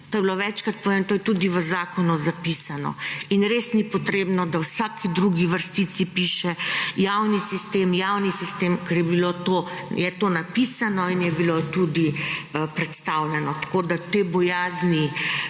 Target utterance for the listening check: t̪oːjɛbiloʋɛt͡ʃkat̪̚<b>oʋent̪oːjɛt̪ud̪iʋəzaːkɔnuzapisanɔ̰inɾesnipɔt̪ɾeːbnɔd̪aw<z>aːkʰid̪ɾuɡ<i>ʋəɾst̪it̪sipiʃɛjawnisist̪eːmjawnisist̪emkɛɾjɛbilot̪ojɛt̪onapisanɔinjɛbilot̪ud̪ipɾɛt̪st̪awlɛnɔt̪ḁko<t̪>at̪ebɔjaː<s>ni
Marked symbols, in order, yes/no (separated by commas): no, no, yes, no, no